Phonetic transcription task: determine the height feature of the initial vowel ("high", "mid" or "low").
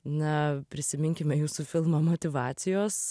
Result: low